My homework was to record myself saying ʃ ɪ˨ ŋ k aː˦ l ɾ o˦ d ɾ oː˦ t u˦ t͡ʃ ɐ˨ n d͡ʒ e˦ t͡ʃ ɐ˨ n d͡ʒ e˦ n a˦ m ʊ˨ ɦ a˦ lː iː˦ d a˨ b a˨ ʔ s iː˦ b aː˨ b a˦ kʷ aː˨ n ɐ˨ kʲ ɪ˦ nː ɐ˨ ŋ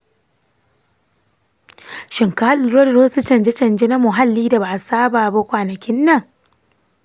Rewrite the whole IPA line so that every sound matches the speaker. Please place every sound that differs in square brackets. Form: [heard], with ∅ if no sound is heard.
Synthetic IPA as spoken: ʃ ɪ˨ ŋ k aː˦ l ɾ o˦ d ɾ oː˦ [s] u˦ t͡ʃ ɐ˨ n d͡ʒ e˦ t͡ʃ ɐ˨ n d͡ʒ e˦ n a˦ m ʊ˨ ɦ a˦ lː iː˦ d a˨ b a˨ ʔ s [aː˦] b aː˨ b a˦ kʷ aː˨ n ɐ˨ kʲ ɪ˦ nː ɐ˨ ŋ